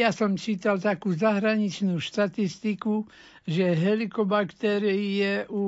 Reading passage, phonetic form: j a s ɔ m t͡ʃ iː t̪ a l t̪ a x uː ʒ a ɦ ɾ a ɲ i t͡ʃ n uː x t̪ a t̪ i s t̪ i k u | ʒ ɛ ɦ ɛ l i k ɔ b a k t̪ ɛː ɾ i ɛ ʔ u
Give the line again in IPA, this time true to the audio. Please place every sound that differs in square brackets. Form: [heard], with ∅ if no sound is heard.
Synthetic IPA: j a s ɔ m t͡ʃ iː t̪ a l t̪ a [k] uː [z] a ɦ ɾ a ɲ i t͡ʃ n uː [ʃ] t̪ a t̪ i s t̪ i k u | ʒ ɛ ɦ ɛ l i k ɔ b a k t̪ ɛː ɾ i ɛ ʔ u